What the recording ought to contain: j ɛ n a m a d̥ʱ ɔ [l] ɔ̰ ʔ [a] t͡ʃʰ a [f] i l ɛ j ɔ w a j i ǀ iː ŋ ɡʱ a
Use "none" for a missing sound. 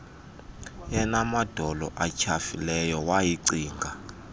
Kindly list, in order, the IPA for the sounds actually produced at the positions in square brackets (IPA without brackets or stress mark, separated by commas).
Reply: l, a, f